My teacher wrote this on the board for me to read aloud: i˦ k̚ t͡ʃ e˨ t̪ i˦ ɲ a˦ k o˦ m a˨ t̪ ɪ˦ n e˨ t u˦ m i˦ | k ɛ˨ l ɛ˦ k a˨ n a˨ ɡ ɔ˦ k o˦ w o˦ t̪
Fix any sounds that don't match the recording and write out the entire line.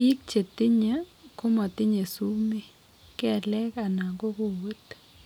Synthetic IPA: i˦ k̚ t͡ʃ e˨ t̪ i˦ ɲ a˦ k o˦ m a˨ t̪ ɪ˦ ɲ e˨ s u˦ m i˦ | k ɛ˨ l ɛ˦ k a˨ n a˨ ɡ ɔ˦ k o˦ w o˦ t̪